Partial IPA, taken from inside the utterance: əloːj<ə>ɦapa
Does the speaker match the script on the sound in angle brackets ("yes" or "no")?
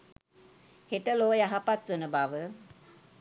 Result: no